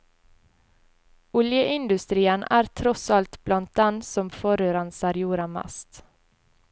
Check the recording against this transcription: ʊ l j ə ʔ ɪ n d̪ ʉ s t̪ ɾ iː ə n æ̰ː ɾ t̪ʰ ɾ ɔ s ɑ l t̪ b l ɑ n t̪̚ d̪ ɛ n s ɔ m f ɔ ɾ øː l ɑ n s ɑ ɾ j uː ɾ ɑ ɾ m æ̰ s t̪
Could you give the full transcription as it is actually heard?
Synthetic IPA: ʊ l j ə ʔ ɪ n d̪ ʉ s t̪ ɾ iː ə n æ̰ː ɾ t̪ʰ ɾ ɔ s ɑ l t̪ b l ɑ n t̪̚ d̪ ɛ n s ɔ m f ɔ ɾ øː ɾ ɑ n s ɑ ɾ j uː ɾ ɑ m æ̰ s t̪